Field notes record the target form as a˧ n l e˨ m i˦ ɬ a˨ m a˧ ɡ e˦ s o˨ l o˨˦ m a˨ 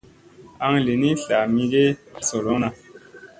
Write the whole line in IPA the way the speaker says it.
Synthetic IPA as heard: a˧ ŋ l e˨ n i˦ ɬ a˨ m i˧ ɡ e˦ s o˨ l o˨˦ n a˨